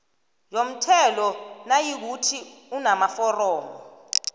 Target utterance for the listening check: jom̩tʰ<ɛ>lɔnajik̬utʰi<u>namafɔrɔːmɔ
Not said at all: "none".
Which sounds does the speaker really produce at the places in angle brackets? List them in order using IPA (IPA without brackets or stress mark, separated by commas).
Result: ɛ, u